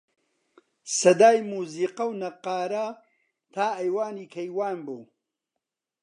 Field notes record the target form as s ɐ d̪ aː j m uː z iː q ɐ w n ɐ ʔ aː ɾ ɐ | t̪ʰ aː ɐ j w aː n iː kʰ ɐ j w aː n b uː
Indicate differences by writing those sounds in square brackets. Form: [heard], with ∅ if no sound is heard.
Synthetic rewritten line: s ɐ d̪ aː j m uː z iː q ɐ w n ɐ [q] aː ɾ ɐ | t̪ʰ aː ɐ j w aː n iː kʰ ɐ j w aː n b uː